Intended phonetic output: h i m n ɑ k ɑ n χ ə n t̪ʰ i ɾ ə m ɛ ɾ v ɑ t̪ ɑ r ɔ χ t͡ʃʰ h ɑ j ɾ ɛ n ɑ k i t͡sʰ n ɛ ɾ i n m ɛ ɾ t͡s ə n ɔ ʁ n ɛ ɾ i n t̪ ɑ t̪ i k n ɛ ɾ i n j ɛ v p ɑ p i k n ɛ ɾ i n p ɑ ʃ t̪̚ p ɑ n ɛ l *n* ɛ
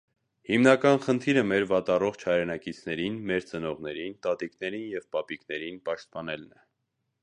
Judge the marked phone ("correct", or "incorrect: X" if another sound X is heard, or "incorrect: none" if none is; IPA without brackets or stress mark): correct